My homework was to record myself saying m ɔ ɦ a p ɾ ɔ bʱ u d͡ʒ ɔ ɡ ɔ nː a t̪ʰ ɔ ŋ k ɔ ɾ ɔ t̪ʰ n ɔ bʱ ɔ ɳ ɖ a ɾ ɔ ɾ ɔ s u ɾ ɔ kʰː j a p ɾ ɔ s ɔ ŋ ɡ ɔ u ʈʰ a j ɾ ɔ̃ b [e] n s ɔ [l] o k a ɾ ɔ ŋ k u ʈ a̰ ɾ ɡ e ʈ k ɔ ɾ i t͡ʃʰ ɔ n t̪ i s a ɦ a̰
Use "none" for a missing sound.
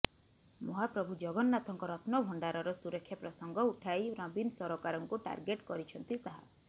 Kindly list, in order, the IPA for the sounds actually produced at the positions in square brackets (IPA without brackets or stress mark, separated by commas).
i, ɾ